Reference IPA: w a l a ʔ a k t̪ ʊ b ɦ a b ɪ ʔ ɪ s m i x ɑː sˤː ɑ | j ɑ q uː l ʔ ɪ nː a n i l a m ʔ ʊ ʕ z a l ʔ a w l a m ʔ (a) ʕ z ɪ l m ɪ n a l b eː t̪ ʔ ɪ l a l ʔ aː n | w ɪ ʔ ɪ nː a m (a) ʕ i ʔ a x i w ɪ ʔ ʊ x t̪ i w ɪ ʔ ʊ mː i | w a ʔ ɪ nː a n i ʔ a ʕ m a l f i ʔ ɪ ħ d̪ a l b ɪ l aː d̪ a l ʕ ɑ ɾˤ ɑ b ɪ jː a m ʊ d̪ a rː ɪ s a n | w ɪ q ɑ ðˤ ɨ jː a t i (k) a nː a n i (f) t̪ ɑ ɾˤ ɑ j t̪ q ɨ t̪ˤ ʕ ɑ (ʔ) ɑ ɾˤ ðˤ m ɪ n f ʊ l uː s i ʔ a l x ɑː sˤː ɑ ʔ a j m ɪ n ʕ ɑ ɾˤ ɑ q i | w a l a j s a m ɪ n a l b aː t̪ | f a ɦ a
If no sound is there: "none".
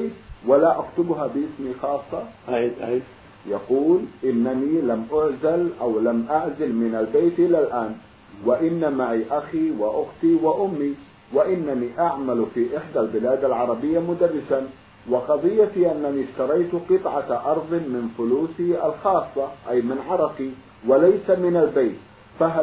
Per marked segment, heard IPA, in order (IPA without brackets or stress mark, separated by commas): a, a, ʔ, ʃ, ʔ